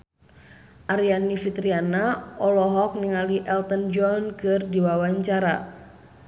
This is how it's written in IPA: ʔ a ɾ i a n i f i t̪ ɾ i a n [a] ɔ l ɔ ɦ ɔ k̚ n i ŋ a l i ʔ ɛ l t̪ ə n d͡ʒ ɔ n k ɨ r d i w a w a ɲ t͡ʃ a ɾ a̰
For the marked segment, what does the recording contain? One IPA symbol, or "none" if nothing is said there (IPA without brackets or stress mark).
a